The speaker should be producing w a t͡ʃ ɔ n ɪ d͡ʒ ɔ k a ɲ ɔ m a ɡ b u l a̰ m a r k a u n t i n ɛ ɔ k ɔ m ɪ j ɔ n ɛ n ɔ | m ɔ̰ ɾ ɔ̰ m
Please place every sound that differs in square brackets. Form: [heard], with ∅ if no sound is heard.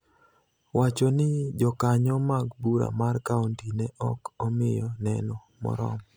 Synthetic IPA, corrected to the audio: w a t͡ʃ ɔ n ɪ d͡ʒ ɔ k a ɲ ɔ m a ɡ b u [ɾ] a̰ m a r k a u n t i n ɛ ɔ k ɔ m ɪ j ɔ n ɛ n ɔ | m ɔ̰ ɾ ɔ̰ m